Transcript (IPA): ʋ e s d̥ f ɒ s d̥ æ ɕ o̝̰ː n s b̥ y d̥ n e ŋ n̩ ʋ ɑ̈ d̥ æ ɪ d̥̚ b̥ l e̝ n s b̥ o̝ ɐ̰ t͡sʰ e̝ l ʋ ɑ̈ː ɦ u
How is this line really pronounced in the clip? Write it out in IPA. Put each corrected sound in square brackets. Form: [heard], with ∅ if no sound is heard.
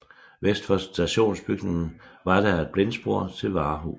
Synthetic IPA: ʋ e s d̥ f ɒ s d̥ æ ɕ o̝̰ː n s b̥ y [ɡ̥] n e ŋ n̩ ʋ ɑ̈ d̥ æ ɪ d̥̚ b̥ l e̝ n s b̥ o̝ ɐ̰ t͡sʰ e̝ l ʋ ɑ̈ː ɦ u